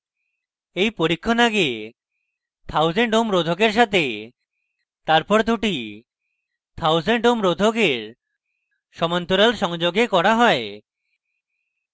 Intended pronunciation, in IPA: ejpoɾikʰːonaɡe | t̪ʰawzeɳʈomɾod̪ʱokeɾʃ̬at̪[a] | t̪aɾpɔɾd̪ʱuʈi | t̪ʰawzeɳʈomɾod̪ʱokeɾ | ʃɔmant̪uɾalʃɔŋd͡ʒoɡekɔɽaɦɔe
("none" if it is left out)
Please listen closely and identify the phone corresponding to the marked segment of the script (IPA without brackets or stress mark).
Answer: e